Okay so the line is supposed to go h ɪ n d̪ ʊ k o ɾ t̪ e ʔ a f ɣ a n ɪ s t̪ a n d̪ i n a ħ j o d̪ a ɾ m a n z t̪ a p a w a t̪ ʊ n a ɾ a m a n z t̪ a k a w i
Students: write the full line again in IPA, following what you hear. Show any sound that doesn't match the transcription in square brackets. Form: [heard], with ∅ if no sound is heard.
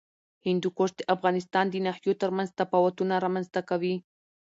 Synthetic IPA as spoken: h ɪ n d̪ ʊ k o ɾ t̪ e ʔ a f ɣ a n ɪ s t̪ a n d̪ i n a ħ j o [t̪] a ɾ m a n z t̪ a p a w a t̪ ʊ n a ɾ a m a n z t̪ a k a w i